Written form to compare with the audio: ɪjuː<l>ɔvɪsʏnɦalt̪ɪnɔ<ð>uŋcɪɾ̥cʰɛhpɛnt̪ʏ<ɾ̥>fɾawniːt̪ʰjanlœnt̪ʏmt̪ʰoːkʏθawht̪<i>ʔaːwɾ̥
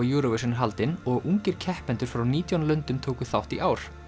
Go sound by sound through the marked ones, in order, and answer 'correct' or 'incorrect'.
incorrect, incorrect, correct, correct

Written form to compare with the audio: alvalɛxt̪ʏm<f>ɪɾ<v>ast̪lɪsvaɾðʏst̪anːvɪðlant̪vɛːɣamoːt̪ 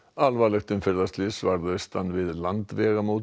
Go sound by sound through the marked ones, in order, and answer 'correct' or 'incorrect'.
correct, incorrect

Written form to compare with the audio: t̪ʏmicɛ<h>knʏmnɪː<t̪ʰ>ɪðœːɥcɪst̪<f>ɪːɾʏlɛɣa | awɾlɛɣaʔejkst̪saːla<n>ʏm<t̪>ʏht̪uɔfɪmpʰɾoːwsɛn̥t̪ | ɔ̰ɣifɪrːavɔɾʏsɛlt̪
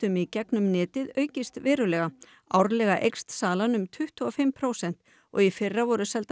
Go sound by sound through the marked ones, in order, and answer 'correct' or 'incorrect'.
incorrect, incorrect, incorrect, correct, incorrect

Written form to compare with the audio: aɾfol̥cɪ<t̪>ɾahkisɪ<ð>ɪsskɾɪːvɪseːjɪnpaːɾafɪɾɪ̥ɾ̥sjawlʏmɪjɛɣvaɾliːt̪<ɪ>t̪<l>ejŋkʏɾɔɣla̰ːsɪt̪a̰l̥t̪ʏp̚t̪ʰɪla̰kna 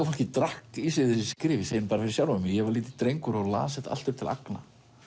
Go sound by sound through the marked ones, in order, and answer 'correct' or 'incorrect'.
correct, correct, correct, incorrect

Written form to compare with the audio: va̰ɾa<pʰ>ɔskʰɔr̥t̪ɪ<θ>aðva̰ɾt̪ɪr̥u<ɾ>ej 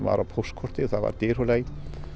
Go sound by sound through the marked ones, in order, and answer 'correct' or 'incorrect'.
correct, correct, incorrect

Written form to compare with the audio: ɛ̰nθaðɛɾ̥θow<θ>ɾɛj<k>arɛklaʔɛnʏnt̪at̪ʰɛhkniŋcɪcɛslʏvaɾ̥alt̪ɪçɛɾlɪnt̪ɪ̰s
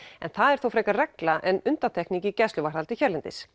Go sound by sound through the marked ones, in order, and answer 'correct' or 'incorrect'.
incorrect, correct

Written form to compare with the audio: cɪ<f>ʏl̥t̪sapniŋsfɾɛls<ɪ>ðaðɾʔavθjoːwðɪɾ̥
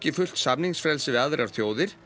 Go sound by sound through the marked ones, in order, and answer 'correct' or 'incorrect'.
correct, correct

